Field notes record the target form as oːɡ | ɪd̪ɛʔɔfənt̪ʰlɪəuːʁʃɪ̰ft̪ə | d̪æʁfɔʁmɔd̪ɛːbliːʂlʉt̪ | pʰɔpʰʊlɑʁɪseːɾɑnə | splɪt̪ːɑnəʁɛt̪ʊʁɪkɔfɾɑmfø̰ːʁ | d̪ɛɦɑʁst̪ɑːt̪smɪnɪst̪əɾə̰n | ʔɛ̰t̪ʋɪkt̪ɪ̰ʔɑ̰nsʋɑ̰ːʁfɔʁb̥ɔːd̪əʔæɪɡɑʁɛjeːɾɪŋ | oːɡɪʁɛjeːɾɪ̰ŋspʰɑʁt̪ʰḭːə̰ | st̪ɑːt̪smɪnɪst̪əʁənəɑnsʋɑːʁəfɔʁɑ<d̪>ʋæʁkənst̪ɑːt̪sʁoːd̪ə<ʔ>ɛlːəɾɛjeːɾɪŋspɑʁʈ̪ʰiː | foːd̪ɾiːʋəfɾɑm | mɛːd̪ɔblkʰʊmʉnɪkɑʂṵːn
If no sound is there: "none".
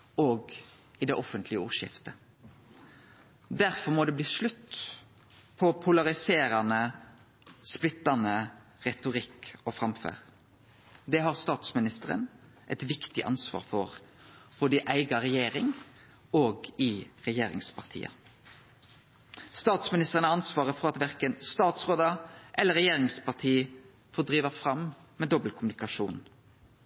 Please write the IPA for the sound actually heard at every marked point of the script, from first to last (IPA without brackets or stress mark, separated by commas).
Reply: t̪, ʔ